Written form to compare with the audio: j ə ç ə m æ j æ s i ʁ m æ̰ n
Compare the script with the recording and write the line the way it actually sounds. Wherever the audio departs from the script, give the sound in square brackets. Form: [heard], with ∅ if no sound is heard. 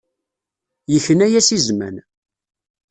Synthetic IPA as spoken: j ə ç ə [n] æ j æ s i [z] m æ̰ n